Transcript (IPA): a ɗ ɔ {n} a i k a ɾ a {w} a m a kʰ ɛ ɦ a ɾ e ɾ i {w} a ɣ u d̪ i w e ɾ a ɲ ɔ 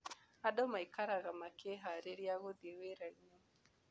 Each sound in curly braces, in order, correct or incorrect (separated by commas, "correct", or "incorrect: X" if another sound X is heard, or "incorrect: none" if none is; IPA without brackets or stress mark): incorrect: m, incorrect: ɣ, incorrect: none